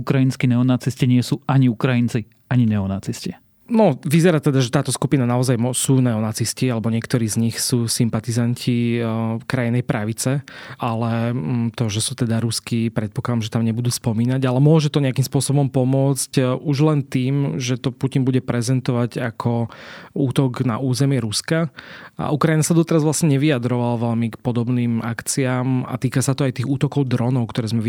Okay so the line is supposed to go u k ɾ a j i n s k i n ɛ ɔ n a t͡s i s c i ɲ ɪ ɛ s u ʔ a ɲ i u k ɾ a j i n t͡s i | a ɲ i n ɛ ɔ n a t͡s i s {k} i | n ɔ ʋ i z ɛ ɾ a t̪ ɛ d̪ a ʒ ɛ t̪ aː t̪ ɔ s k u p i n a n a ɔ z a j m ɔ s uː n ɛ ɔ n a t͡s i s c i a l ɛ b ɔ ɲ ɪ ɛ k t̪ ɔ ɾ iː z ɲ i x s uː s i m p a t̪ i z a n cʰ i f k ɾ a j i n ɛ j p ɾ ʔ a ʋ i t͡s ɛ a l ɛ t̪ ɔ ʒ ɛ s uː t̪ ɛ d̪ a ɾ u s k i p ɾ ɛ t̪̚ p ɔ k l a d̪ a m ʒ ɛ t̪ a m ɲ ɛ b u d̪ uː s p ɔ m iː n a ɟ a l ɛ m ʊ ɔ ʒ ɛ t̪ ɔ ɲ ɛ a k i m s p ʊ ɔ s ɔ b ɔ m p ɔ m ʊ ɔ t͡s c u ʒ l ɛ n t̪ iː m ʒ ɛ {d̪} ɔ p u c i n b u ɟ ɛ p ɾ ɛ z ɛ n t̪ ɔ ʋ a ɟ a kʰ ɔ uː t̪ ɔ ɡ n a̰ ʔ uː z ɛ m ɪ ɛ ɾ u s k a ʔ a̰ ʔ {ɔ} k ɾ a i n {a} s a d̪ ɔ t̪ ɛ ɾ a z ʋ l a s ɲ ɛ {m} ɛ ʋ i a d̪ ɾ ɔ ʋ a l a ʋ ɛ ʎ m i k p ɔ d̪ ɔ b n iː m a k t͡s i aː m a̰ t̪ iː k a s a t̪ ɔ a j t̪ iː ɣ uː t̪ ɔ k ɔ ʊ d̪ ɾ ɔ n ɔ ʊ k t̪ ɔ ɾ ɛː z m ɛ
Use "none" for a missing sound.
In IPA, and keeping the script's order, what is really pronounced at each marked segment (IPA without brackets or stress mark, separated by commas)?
c, t̪, u, a, ɲ